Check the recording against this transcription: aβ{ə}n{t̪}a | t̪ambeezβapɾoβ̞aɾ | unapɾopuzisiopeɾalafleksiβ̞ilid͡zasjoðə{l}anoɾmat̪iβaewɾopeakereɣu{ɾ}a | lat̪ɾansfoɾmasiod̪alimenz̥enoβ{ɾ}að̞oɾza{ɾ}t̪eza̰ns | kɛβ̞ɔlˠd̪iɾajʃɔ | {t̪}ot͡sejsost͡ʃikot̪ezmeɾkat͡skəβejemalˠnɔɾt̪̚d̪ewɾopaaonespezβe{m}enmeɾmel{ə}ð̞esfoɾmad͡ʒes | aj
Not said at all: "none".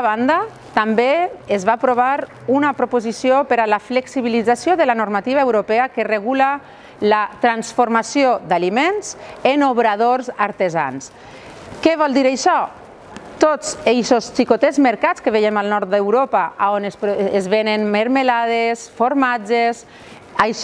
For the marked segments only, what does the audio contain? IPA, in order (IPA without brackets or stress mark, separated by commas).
a, d̪, l, l, ɾ, ɾ, t̪, n, a